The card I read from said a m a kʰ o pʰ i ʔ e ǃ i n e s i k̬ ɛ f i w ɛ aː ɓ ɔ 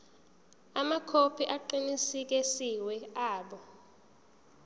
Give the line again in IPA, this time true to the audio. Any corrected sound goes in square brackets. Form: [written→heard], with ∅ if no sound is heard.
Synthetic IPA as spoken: a m a kʰ o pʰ i ʔ [e→a] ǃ i n [e→i] s i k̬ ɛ [f→s] i w ɛ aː ɓ ɔ